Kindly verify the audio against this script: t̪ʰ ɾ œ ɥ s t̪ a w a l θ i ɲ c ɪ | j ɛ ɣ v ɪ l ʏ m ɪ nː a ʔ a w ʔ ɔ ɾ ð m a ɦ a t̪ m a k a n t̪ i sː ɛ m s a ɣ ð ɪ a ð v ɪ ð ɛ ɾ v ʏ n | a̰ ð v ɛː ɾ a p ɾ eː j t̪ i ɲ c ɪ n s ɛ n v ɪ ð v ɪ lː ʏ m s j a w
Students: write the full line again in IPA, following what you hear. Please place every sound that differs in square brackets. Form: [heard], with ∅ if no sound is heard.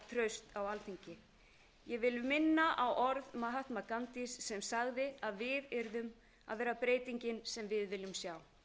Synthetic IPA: t̪ʰ ɾ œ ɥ s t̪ a w a l θ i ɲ c ɪ | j ɛ ɣ v ɪ l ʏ m ɪ nː a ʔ a w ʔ ɔ ɾ ð m a ɦ a t̪ m a k a n t̪ i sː ɛ m s a ɣ ð ɪ a ð v ɪ ð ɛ ɾ [ð] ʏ [m] | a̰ ð v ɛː ɾ a p ɾ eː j t̪ i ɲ c ɪ n s ɛ [m] v ɪ ð v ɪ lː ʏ m s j a w